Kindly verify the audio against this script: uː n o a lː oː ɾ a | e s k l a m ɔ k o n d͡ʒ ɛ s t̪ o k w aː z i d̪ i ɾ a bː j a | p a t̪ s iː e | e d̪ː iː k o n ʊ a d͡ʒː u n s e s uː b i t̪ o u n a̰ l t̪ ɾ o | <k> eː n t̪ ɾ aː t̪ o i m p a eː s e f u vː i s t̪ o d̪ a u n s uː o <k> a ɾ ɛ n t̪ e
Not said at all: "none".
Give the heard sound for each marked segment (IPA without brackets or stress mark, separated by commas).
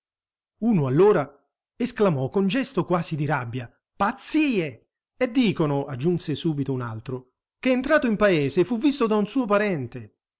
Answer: k, p